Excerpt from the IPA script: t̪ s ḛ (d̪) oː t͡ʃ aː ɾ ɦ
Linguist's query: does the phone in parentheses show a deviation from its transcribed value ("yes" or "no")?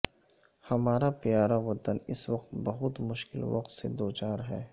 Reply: no